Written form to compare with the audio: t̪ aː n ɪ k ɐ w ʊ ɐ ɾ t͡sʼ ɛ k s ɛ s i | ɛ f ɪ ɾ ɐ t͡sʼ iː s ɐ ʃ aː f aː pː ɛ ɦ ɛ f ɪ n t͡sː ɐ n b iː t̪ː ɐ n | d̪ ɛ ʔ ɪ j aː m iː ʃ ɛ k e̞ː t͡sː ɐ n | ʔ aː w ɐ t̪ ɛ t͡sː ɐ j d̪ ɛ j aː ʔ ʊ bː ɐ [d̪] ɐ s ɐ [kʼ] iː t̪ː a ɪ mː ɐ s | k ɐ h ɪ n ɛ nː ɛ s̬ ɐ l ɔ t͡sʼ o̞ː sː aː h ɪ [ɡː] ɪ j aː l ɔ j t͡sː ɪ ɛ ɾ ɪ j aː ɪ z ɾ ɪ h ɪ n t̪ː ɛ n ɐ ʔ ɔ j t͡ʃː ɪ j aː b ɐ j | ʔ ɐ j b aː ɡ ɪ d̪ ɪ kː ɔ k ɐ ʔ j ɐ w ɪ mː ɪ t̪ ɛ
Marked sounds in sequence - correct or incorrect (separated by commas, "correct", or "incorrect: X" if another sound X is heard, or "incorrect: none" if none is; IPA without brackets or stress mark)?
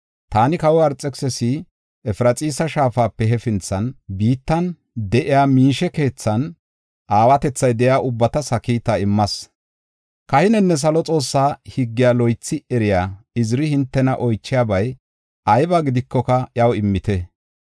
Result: incorrect: t̪, incorrect: k, correct